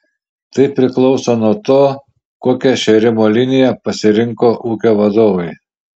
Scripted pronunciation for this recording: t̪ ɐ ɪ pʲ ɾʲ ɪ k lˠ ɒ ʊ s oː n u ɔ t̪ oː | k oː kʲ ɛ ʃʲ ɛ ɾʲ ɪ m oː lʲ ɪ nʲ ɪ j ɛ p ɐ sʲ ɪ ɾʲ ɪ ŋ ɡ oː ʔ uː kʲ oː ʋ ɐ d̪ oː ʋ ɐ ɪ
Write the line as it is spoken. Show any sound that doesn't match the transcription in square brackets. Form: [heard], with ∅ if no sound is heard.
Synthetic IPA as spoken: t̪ ɐ ɪ pʲ ɾʲ ɪ k lˠ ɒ ʊ s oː n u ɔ t̪ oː | k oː kʲ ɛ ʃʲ ɛ ɾʲ ɪ m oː lʲ ɪ nʲ ɪ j ɛ p ɐ sʲ ɪ ɾʲ ɪ ŋ [k] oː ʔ uː kʲ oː ʋ ɐ d̪ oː ʋ ɐ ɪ

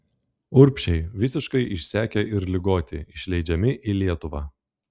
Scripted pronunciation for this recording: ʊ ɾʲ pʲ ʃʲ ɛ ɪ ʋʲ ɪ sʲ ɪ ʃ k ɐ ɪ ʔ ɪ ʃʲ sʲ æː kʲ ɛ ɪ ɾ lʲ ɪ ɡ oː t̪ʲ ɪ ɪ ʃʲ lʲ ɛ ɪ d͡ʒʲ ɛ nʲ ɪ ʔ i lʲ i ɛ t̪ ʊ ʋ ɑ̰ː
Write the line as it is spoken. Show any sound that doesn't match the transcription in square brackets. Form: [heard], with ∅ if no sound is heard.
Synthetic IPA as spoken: ʊ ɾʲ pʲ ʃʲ ɛ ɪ ʋʲ ɪ sʲ ɪ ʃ k ɐ ɪ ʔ ɪ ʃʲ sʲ æː kʲ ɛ ɪ ɾ lʲ ɪ ɡ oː t̪ʲ ɪ ɪ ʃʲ lʲ ɛ ɪ d͡ʒʲ ɛ [mʲ] ɪ ʔ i lʲ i ɛ t̪ ʊ ʋ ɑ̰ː

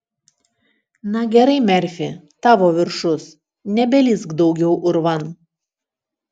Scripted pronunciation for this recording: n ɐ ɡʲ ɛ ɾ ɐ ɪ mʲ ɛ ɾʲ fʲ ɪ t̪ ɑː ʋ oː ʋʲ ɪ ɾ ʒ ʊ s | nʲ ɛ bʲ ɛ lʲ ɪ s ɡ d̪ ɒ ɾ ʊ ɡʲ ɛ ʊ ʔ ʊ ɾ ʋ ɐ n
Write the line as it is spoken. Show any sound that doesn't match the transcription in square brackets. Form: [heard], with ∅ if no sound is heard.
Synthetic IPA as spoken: n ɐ ɡʲ ɛ ɾ ɐ ɪ mʲ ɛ ɾʲ fʲ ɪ t̪ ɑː ʋ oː ʋʲ ɪ ɾ [ʃ] ʊ s | nʲ ɛ bʲ ɛ lʲ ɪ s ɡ d̪ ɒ [∅] ʊ ɡʲ ɛ ʊ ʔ ʊ ɾ ʋ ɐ n

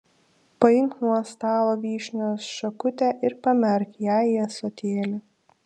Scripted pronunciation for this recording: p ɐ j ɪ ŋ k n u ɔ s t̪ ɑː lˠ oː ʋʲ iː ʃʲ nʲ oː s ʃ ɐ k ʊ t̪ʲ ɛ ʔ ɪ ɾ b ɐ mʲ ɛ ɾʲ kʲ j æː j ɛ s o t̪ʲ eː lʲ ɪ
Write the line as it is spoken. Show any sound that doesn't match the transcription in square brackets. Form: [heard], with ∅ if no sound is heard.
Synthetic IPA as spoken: p ɐ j ɪ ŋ k n u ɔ s t̪ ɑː lˠ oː ʋʲ iː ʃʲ nʲ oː s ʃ ɐ k ʊ t̪ʲ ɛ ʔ ɪ ɾ [p] ɐ mʲ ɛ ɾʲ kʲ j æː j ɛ s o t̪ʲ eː lʲ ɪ

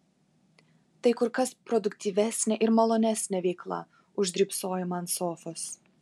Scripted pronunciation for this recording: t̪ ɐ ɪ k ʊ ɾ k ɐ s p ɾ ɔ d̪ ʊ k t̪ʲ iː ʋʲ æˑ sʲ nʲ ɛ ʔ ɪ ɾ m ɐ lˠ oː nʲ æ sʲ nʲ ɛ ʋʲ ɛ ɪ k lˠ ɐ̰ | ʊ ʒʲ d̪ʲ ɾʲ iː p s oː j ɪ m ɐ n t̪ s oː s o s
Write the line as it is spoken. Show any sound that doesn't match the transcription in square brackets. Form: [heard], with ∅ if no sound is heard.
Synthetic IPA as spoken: t̪ ɐ ɪ k ʊ ɾ k ɐ s p ɾ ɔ d̪ ʊ k t̪ʲ iː ʋʲ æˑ sʲ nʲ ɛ ʔ ɪ ɾ m ɐ lˠ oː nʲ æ sʲ nʲ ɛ ʋʲ ɛ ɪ k lˠ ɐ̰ | ʊ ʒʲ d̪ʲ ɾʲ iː p s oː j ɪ m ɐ n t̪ s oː [f] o s

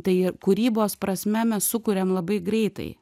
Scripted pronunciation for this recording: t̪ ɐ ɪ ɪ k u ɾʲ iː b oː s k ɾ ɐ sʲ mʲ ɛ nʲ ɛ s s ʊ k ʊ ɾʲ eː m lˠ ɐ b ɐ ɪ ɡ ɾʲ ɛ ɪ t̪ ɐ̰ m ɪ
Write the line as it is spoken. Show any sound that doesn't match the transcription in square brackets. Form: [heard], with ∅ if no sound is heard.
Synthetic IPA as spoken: t̪ ɐ ɪ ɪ k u ɾʲ iː b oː s [p] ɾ ɐ sʲ mʲ ɛ [mʲ] ɛ s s ʊ k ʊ ɾʲ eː m lˠ ɐ b ɐ ɪ ɡ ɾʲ ɛ ɪ t̪ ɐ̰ [∅] ɪ

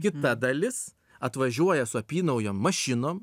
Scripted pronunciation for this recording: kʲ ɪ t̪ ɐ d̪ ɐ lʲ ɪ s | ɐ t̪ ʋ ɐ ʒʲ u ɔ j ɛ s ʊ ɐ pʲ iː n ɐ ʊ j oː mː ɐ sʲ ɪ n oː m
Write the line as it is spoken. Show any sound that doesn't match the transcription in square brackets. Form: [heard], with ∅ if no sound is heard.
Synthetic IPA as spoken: kʲ ɪ t̪ ɐ d̪ ɐ lʲ ɪ s | ɐ t̪ ʋ ɐ ʒʲ u ɔ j ɛ s ʊ ɐ pʲ iː n ɐ ʊ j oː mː ɐ [ʃʲ] ɪ n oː m

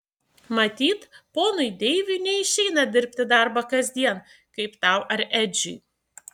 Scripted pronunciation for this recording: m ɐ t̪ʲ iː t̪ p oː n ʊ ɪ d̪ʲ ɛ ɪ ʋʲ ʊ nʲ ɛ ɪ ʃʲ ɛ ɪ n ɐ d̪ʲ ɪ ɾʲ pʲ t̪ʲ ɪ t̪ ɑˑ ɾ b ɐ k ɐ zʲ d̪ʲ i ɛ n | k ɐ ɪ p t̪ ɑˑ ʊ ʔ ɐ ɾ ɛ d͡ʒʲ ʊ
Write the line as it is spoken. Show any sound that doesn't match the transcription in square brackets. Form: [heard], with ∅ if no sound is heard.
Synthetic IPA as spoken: m ɐ t̪ʲ iː t̪ p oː n ʊ ɪ d̪ʲ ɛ ɪ ʋʲ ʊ nʲ ɛ ɪ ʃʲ ɛ ɪ n ɐ d̪ʲ ɪ ɾʲ pʲ t̪ʲ ɪ [d̪] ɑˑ ɾ b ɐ k ɐ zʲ d̪ʲ i ɛ n | k ɐ ɪ p t̪ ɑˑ ʊ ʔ ɐ ɾ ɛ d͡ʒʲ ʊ

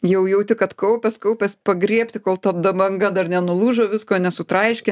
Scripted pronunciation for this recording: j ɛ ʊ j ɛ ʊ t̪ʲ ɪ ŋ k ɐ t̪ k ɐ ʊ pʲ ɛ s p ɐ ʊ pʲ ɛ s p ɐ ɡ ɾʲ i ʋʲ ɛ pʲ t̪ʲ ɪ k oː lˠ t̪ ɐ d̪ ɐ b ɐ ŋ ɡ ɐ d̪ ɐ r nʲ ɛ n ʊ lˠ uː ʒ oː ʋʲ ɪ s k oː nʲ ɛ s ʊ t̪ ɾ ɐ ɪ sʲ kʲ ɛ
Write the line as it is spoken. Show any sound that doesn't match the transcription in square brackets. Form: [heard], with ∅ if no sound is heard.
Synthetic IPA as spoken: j ɛ ʊ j ɛ ʊ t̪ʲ ɪ [∅] k ɐ t̪ k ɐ ʊ pʲ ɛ s [k] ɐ ʊ pʲ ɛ s p ɐ ɡ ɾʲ i [∅] ɛ pʲ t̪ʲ ɪ k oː lˠ t̪ ɐ d̪ ɐ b ɐ ŋ ɡ ɐ d̪ ɐ r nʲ ɛ n ʊ lˠ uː ʒ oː ʋʲ ɪ s k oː nʲ ɛ s ʊ t̪ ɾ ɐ ɪ [ʃʲ] kʲ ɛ

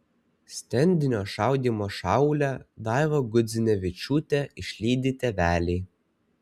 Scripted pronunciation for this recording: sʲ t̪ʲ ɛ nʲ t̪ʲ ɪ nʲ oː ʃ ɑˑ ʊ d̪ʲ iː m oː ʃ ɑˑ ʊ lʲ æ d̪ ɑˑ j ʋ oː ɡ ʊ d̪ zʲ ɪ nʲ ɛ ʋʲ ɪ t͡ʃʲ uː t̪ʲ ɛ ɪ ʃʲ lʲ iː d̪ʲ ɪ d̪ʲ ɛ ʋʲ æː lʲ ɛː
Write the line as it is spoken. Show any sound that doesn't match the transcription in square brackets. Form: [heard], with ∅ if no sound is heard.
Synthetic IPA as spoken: sʲ t̪ʲ ɛ nʲ [d̪ʲ] ɪ nʲ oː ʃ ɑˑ ʊ d̪ʲ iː m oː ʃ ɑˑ ʊ lʲ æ d̪ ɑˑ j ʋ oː ɡ ʊ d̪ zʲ ɪ nʲ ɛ ʋʲ ɪ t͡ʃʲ uː t̪ʲ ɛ ɪ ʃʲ lʲ iː d̪ʲ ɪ [t̪ʲ] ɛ ʋʲ æː lʲ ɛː

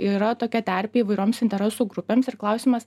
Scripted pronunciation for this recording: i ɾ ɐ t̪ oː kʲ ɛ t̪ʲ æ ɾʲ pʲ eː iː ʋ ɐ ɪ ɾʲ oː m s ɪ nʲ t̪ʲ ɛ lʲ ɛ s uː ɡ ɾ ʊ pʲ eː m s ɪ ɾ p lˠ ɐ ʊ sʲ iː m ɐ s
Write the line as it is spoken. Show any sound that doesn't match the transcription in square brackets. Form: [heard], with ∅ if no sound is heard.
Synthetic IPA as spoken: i ɾ ɐ t̪ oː kʲ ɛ t̪ʲ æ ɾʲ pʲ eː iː ʋ ɐ ɪ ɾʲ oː m s ɪ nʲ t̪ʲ ɛ [ɾʲ] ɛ s uː ɡ ɾ ʊ pʲ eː m s ɪ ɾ [k] lˠ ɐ ʊ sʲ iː m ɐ s

